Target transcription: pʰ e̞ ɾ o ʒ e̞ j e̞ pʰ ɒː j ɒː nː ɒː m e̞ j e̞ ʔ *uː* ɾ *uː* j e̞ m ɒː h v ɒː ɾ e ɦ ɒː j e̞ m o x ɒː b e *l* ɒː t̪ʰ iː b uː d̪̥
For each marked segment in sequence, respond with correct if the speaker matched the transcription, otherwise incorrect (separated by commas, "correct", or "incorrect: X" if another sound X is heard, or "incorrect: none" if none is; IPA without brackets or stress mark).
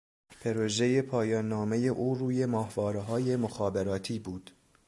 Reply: correct, correct, incorrect: ɾ